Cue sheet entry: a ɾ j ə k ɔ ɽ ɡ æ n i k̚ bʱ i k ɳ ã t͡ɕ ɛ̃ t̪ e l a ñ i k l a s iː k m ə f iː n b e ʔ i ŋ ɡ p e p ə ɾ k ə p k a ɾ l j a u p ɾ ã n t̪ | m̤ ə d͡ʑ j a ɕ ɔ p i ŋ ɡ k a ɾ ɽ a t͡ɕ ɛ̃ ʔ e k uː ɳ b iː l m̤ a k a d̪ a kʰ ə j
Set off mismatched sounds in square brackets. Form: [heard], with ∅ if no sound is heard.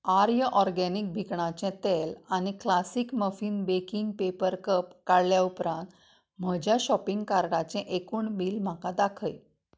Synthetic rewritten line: a ɾ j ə [ʔ] ɔ [ɾ] ɡ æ n i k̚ bʱ i k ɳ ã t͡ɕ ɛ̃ t̪ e l a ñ i k l a s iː k m ə f iː n b e [k] i ŋ ɡ p e p ə ɾ k ə p k a [ɽ] l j a u p ɾ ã n t̪ | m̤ ə d͡ʑ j a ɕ ɔ p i ŋ ɡ k a ɾ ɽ a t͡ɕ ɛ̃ ʔ e k uː ɳ b iː l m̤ a k a d̪ a kʰ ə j